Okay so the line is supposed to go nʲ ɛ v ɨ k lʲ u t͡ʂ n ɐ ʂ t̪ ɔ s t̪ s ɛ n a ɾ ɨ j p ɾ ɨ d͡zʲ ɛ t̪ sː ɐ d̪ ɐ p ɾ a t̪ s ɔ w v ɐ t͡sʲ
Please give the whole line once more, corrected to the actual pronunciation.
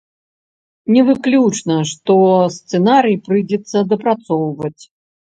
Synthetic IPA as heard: nʲ ɛ v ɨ k lʲ u t͡ʂ n ɐ ʂ t̪ ɔ s t̪ s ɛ n a ɾ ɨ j p ɾ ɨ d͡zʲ ɛ t̪ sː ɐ d̪ ɐ p ɾ a t̪ s ɔ w v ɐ t͡sʲ